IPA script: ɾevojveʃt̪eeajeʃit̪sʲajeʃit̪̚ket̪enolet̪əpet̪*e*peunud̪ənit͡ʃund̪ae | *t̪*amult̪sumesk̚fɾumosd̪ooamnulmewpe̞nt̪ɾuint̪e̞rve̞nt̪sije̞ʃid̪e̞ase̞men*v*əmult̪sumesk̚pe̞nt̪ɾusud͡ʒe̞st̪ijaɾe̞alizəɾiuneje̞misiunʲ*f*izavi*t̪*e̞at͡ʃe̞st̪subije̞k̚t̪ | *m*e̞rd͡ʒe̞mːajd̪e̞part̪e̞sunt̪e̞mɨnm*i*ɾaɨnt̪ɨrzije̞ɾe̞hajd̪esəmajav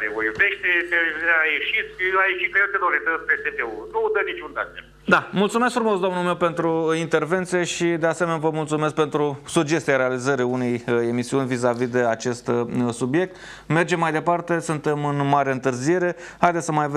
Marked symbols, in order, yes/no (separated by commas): yes, no, yes, no, no, yes, no